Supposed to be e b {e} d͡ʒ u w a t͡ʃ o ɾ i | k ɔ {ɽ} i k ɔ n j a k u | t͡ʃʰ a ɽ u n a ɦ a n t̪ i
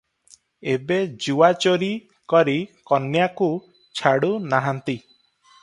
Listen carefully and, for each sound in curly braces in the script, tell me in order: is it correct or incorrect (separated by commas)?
correct, incorrect